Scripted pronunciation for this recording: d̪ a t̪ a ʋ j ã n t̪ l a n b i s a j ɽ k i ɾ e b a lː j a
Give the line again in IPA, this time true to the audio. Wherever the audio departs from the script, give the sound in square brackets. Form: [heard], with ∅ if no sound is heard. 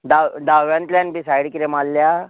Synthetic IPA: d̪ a [d̪] a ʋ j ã n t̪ l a n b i s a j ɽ k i ɾ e [m] a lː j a